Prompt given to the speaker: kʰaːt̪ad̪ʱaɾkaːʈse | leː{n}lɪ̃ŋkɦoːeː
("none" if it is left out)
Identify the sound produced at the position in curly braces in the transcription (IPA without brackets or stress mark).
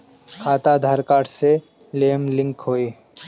m